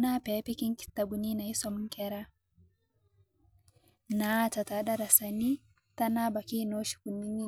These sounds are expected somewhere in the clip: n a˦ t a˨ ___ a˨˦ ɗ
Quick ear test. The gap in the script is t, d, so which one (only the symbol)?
t